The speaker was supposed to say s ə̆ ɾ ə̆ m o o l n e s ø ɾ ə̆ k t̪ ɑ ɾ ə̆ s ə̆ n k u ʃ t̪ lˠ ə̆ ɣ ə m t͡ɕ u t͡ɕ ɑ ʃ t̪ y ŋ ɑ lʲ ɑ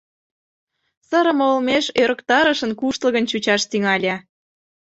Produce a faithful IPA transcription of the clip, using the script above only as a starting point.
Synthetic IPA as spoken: s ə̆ ɾ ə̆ m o o l m e ʃ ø ɾ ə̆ k t̪ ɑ ɾ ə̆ ʃ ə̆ n k u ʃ t̪ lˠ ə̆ ɣ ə n t͡ɕ u t͡ɕ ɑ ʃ t̪ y ŋ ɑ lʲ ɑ